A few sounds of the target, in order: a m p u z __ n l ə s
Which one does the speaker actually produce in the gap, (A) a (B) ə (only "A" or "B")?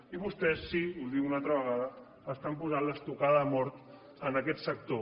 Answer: A